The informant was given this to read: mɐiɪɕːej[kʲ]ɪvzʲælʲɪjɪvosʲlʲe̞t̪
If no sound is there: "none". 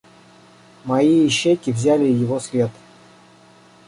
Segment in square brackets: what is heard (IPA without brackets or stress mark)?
kʲ